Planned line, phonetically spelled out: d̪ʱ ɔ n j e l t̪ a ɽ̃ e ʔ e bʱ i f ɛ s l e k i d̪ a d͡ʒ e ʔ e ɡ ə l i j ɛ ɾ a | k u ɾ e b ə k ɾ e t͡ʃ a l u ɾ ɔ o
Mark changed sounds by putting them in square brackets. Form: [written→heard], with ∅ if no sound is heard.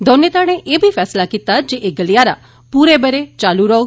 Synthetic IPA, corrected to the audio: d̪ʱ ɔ n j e [l→∅] t̪ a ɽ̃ e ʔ e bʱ i f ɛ s l [e→a] k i [d̪→t̪] a d͡ʒ e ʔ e ɡ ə l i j [ɛ→a] ɾ a | [k→p] u ɾ e b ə [k→∅] ɾ e t͡ʃ a l u ɾ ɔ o